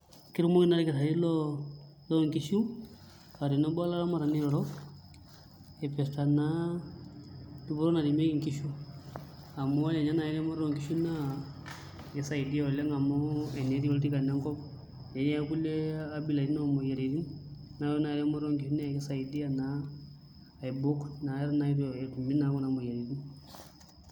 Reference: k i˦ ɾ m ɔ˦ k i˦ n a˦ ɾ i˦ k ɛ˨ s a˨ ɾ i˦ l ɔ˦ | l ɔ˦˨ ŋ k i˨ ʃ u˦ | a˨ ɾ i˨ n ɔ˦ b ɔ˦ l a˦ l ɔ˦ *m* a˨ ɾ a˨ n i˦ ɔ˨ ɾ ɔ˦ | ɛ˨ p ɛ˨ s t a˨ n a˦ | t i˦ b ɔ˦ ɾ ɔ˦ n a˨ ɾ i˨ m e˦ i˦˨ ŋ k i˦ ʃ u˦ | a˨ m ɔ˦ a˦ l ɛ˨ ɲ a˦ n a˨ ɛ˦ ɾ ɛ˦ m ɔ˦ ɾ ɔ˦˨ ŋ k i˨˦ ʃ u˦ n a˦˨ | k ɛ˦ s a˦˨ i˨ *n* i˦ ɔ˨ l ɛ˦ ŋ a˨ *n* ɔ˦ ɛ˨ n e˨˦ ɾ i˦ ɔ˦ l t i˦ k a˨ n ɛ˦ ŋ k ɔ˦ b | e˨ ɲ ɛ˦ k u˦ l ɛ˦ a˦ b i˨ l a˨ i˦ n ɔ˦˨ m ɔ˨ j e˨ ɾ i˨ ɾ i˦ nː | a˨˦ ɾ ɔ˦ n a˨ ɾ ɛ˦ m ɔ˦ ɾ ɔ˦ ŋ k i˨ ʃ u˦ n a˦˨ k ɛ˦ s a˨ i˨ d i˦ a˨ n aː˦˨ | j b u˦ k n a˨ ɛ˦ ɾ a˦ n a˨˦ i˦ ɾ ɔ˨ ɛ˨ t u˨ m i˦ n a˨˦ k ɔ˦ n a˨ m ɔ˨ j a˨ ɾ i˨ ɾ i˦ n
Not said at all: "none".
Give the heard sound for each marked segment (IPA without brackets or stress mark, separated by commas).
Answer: m, d, m